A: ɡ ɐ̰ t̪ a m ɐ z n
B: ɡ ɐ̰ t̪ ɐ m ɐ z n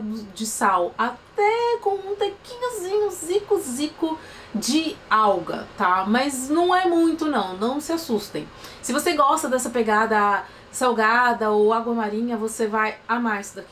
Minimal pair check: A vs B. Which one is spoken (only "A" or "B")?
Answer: A